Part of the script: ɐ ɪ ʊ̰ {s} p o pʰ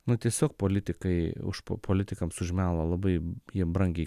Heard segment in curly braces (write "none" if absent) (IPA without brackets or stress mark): ʃ